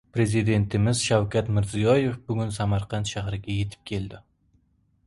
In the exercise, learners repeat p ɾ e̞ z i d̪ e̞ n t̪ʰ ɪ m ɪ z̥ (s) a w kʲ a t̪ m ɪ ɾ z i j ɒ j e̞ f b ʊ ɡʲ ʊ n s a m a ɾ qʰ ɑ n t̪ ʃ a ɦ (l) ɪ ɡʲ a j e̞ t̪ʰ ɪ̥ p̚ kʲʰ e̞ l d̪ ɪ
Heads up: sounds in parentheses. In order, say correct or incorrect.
incorrect: ʃ, incorrect: ɾ

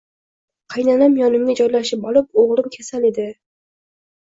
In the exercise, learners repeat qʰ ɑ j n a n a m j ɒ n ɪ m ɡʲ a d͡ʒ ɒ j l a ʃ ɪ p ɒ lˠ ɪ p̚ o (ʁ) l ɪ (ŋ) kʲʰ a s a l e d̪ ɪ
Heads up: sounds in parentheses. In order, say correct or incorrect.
correct, incorrect: m

